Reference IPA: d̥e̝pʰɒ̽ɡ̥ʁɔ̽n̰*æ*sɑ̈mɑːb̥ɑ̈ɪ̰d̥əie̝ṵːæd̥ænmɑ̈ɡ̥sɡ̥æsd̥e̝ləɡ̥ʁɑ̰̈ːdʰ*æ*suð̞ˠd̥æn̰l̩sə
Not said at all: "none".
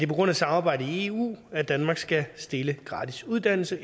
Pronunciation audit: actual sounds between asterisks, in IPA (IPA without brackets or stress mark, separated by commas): æ, i